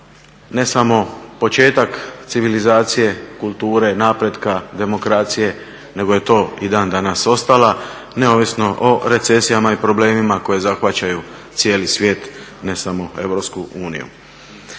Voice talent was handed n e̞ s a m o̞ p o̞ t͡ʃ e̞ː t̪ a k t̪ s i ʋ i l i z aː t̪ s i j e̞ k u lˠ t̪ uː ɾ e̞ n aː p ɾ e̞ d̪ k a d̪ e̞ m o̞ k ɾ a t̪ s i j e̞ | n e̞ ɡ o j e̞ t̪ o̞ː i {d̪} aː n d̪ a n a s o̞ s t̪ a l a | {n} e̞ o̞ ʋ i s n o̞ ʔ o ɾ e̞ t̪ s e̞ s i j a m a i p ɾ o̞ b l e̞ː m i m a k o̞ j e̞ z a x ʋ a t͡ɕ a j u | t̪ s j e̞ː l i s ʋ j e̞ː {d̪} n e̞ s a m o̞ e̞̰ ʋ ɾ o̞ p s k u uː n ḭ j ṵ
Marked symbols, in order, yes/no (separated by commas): yes, yes, no